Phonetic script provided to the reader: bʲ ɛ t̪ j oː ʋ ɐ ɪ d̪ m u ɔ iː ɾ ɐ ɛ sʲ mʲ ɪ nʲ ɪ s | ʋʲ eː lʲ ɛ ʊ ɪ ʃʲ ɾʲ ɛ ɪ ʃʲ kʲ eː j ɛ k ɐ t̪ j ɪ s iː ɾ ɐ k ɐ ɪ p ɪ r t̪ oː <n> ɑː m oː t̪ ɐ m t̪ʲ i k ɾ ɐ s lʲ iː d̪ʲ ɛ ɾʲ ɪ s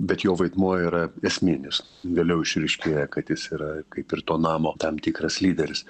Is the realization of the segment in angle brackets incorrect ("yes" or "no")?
no